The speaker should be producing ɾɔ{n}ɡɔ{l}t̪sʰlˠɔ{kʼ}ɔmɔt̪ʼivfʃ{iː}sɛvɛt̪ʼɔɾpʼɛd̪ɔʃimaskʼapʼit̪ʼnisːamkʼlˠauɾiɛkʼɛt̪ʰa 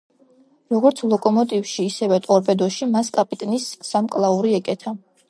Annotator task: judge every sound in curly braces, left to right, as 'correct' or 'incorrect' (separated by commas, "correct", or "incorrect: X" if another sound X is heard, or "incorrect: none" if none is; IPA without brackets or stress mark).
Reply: incorrect: none, incorrect: ɾ, correct, correct